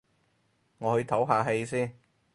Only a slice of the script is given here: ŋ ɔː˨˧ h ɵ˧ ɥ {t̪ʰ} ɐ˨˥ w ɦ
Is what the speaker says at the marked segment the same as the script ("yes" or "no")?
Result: yes